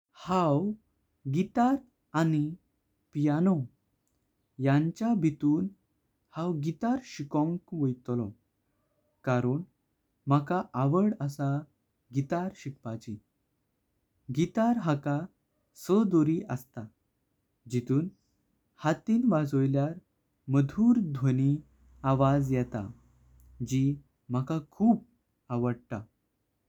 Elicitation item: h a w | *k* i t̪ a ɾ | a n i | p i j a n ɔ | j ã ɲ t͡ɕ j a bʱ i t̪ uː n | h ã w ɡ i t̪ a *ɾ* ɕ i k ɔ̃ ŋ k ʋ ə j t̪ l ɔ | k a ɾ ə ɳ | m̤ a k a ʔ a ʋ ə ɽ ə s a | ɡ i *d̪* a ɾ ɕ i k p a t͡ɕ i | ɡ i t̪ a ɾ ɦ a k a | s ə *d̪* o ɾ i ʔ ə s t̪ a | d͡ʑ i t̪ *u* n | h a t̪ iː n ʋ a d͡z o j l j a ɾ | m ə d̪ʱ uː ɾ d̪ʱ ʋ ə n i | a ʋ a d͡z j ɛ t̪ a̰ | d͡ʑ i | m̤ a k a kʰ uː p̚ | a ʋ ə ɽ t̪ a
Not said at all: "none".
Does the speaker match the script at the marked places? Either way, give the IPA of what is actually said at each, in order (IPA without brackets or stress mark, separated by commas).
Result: ɡ, ɾ, t̪, d̪, uː